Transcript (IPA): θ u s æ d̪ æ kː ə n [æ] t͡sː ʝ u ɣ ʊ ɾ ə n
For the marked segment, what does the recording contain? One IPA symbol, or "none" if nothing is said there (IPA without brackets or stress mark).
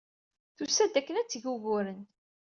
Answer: æ